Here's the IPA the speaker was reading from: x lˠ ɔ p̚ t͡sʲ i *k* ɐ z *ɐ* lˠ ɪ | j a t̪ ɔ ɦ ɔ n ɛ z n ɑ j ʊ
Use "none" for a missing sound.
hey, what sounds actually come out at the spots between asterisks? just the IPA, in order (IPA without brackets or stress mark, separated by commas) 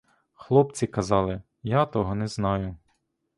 k, ɑ